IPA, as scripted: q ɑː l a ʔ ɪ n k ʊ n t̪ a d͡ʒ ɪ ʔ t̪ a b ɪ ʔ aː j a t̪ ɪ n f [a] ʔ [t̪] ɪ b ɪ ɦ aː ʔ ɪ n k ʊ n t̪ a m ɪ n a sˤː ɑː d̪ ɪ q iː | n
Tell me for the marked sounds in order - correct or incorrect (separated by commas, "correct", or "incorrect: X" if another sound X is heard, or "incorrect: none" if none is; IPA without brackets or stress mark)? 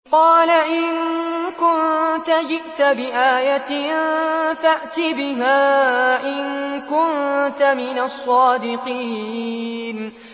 correct, correct